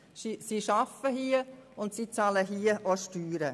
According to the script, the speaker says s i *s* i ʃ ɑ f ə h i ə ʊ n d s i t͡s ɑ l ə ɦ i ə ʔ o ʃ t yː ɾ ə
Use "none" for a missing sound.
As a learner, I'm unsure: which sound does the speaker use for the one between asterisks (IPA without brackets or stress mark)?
s